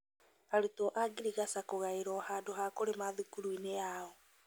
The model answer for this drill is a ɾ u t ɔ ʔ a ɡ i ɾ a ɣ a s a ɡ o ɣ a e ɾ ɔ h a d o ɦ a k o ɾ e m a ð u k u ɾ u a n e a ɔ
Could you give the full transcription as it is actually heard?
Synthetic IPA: a ɾ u t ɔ ʔ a ɡ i ɾ i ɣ a s a k o ɣ a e ɾ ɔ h a d o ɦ a k o ɾ e m a ð u k u ɾ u i n e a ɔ